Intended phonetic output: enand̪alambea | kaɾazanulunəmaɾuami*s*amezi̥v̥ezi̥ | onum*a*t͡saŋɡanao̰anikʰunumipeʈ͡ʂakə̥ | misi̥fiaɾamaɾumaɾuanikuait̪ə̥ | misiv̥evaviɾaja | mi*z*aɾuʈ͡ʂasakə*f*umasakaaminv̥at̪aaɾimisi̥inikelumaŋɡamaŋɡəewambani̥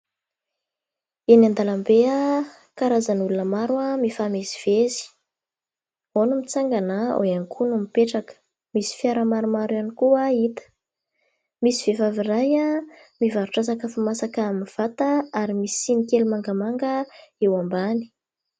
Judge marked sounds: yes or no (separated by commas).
no, no, no, yes